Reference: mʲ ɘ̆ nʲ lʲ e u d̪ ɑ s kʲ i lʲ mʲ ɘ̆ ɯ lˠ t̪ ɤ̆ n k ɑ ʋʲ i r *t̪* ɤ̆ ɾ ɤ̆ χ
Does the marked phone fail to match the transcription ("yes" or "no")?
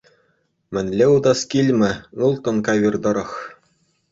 yes